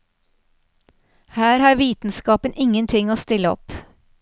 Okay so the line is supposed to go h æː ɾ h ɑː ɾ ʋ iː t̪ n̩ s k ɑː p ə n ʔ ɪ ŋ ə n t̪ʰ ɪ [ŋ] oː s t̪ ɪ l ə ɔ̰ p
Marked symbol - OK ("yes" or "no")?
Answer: yes